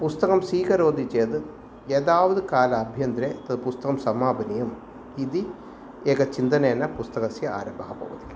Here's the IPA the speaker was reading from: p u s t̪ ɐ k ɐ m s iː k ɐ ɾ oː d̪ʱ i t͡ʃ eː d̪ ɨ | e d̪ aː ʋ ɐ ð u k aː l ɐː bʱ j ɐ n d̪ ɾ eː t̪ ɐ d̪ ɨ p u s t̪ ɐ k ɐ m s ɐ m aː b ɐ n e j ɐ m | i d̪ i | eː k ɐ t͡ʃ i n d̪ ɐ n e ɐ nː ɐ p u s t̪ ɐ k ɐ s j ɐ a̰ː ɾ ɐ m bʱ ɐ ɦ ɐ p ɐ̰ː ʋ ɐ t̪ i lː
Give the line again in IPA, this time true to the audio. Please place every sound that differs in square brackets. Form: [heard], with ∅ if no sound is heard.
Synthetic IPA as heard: p u s t̪ ɐ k ɐ m s iː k ɐ ɾ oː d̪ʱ i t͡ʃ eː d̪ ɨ | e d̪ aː ʋ ɐ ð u k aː l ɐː bʱ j ɐ n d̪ ɾ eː t̪ ɐ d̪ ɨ p u s t̪ ɐ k ɐ m s ɐ m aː b ɐ n [i] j ɐ m | i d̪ i | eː k ɐ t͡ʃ i n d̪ ɐ n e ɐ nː ɐ p u s t̪ ɐ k ɐ s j ɐ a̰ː ɾ ɐ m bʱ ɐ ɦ ɐ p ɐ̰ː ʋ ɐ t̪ i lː

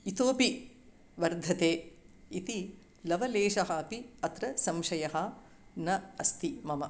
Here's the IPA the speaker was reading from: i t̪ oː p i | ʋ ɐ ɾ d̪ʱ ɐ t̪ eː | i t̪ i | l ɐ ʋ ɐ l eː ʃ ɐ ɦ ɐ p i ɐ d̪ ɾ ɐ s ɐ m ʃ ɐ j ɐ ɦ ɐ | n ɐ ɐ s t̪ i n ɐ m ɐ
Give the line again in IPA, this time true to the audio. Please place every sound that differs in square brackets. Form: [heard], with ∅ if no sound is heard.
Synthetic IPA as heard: i t̪ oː p i | ʋ ɐ ɾ d̪ʱ ɐ t̪ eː | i t̪ i | l ɐ ʋ ɐ l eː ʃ ɐ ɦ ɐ p i ɐ [t̪] ɾ ɐ s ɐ m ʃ ɐ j ɐ ɦ ɐ | n ɐ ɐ s t̪ i [m] ɐ m ɐ

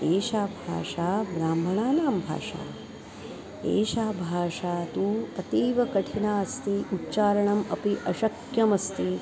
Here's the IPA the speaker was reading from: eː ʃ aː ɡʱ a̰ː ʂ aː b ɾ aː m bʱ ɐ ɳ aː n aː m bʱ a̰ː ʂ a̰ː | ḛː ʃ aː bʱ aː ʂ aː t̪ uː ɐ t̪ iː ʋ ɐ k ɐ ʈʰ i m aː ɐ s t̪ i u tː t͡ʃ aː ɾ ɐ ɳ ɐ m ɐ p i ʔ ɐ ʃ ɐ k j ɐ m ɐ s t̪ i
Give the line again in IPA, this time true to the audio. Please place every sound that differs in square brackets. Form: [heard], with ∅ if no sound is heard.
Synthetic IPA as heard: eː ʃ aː [bʱ] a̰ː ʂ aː b ɾ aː m bʱ ɐ ɳ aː n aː m bʱ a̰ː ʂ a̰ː | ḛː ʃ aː bʱ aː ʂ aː t̪ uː ɐ t̪ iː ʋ ɐ k ɐ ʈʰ i [n] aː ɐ s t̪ i u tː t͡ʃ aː ɾ ɐ ɳ ɐ m ɐ p i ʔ ɐ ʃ ɐ k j ɐ m ɐ s t̪ i

